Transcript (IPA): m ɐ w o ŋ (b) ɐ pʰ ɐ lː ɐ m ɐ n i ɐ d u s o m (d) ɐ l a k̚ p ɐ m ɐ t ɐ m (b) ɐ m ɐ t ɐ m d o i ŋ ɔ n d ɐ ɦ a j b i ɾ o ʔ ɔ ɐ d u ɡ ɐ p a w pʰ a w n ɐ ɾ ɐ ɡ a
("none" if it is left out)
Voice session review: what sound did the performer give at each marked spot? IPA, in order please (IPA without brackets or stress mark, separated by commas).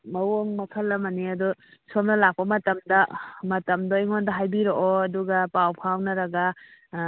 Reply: m, n, d